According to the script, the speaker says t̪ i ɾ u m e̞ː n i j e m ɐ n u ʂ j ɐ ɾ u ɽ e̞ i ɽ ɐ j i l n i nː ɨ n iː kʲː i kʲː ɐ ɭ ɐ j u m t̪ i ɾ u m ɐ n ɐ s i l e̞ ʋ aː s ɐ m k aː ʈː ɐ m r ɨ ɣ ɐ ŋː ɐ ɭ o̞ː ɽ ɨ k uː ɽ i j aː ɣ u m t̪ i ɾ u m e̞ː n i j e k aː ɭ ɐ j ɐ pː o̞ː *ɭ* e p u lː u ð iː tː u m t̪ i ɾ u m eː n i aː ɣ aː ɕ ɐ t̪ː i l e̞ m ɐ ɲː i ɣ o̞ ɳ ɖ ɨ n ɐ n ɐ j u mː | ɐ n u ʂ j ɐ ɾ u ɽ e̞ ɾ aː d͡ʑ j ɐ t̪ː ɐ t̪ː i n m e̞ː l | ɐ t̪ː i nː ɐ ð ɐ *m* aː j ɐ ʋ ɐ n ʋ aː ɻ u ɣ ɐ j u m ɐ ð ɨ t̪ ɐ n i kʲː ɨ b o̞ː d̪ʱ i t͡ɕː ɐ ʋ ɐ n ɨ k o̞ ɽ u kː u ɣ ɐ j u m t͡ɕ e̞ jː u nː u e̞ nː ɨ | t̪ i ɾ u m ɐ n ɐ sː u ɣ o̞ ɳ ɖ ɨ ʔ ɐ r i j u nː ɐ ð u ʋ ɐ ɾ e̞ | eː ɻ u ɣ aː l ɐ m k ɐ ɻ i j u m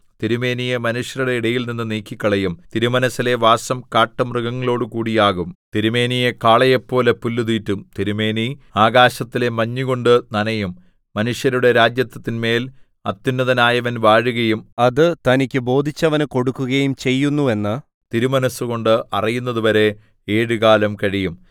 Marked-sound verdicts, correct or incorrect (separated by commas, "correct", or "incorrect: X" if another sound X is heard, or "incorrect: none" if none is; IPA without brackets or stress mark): incorrect: l, incorrect: n